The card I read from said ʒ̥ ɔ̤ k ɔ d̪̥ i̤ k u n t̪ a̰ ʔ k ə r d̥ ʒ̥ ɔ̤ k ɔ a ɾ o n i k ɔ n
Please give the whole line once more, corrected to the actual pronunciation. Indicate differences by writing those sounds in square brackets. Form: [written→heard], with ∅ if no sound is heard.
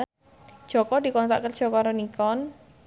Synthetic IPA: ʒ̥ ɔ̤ k ɔ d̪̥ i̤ k [u→ɔ] n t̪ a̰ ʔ k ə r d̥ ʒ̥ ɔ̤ k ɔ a ɾ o n i k ɔ n